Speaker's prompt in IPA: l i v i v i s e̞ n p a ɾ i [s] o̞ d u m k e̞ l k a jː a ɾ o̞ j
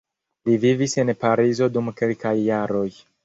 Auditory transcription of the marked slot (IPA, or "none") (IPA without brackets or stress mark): z